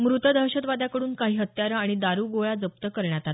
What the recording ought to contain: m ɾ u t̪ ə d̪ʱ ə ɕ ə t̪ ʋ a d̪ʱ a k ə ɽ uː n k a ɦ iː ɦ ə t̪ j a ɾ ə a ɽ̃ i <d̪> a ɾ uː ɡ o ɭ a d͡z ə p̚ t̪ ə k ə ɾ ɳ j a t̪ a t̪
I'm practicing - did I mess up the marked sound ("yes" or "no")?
no